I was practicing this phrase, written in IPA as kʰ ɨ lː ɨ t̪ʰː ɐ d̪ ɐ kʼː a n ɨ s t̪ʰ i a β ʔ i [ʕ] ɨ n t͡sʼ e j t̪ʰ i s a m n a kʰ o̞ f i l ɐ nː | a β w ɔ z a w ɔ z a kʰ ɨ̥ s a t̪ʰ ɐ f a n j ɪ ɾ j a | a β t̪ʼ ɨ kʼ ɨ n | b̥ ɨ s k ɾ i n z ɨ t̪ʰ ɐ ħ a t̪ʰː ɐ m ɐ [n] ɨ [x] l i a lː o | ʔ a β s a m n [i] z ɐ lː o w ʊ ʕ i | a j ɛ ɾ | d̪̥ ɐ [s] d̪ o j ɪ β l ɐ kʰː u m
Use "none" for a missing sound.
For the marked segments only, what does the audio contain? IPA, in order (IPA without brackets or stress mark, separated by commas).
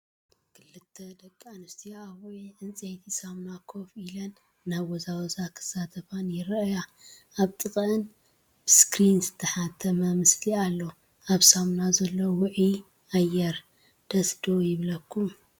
ʕ, m, s, a, s